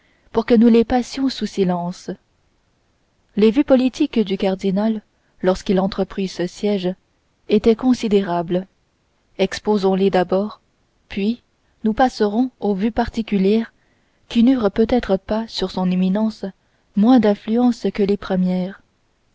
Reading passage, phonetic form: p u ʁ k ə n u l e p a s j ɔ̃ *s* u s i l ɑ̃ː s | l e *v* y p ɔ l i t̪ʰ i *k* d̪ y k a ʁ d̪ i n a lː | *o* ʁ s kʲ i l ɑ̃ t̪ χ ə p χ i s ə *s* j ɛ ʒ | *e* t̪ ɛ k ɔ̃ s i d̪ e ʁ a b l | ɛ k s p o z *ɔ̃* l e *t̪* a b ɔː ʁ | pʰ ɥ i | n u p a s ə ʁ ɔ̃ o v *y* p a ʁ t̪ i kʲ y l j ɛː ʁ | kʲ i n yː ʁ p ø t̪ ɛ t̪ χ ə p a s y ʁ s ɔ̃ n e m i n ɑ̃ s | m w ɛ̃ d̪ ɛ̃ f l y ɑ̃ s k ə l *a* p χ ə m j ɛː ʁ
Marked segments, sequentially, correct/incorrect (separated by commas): correct, correct, correct, incorrect, correct, correct, correct, incorrect, correct, incorrect